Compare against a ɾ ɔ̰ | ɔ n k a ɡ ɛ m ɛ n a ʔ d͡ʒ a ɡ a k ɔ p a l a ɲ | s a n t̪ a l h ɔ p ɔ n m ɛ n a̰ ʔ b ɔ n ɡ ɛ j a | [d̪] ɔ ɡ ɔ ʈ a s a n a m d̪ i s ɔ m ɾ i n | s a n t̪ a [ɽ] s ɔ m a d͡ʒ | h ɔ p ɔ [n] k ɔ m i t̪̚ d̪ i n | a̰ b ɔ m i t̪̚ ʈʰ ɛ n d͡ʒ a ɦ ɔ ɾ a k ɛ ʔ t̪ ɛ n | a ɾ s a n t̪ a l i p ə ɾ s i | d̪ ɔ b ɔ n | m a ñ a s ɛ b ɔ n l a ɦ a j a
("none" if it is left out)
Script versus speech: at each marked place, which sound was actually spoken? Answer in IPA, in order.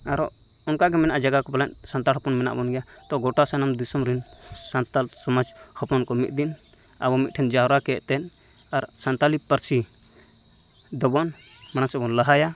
t̪, l, n

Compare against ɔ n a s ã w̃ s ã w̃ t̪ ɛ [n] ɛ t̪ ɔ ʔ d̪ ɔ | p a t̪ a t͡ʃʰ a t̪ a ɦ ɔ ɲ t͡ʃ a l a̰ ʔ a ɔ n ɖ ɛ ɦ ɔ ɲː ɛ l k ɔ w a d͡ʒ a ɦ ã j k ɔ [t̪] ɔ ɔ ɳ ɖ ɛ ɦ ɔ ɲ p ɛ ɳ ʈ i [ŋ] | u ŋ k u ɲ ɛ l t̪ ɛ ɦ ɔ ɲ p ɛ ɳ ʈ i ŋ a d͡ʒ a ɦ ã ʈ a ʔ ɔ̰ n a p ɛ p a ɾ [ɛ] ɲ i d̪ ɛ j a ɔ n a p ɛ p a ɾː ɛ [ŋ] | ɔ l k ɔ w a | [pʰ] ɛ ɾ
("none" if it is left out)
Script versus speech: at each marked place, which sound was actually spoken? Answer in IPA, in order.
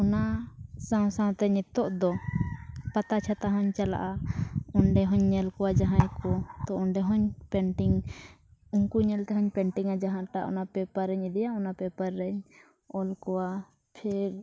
ɲ, t̪, ŋ, ɛ, ɲ, pʰ

